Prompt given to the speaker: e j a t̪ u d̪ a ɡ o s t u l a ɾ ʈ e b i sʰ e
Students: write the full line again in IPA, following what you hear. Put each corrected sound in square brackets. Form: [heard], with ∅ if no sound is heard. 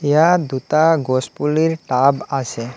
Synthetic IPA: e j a [d̪] u [t̪] a ɡ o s [p] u l [i] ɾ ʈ [a] b [a] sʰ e